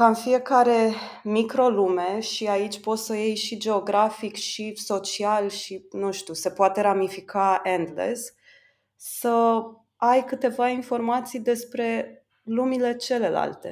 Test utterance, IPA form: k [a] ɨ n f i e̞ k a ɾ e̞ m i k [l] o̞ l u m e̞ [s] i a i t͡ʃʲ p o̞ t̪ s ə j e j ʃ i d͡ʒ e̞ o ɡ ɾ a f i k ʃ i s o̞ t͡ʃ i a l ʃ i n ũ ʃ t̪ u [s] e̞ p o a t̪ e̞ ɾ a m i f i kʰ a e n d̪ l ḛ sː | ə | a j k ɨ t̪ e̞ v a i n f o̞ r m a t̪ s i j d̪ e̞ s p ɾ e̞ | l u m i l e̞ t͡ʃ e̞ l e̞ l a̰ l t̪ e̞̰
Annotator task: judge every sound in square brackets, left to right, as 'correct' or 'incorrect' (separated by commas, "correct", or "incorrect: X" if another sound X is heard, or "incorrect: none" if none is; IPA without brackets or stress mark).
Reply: correct, incorrect: ɾ, incorrect: ʃ, correct